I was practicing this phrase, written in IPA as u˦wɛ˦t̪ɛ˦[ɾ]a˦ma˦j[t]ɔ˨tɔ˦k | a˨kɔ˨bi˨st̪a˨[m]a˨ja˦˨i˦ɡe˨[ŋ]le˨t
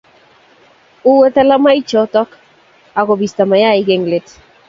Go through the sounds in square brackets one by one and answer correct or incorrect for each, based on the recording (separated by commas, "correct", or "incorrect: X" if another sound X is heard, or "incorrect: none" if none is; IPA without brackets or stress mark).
incorrect: l, incorrect: t͡ʃ, correct, correct